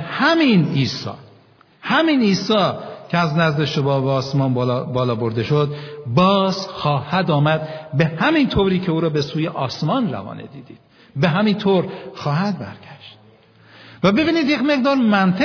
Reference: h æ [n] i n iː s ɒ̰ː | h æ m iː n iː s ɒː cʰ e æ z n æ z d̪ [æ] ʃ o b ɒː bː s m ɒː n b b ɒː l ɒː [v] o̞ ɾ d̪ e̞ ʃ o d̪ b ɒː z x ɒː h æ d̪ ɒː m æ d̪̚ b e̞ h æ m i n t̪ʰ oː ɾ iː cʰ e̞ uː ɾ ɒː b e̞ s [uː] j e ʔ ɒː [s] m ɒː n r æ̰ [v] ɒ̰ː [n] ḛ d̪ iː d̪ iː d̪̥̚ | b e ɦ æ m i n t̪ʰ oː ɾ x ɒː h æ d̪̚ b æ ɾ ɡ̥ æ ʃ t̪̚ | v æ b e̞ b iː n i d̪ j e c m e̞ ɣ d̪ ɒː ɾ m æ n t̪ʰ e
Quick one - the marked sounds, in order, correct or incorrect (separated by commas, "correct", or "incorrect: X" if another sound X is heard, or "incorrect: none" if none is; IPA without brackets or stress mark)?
incorrect: m, incorrect: e, incorrect: b, correct, correct, correct, correct